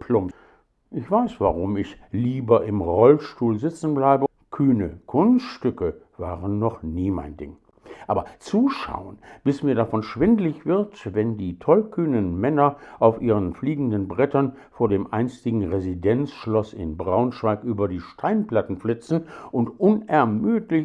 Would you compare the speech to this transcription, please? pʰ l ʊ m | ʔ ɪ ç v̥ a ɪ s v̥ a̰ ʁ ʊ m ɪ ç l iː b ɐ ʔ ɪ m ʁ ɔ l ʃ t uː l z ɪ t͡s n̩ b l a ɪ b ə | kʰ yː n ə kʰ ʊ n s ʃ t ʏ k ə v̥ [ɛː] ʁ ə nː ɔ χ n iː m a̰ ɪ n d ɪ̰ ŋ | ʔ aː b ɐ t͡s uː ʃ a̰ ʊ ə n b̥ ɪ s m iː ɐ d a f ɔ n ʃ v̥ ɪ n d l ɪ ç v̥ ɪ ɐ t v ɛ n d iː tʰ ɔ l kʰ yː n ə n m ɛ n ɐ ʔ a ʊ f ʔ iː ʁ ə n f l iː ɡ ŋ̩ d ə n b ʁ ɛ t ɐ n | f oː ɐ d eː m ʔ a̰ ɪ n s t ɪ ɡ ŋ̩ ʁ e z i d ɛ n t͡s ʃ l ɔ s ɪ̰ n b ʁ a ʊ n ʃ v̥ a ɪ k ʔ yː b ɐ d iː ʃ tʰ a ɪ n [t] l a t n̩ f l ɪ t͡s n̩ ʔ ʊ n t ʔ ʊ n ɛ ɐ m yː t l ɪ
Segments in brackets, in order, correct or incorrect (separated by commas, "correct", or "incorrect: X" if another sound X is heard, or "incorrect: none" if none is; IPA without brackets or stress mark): incorrect: aː, incorrect: p